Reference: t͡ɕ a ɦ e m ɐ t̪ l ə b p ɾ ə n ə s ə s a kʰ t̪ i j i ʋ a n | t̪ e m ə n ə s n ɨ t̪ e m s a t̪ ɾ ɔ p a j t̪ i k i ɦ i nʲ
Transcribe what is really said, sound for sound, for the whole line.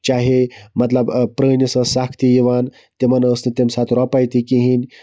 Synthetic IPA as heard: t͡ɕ a ɦ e m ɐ t̪ l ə b p ɾ ə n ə s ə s a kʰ t̪ i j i ʋ a n | t̪ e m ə n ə s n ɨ t̪ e m s a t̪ ɾ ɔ p a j t̪ i k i ɦ i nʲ